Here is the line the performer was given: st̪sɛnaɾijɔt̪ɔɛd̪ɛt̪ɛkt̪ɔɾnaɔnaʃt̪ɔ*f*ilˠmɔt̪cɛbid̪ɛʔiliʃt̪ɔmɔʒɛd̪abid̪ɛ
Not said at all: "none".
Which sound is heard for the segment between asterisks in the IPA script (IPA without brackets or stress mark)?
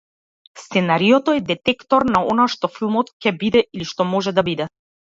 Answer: f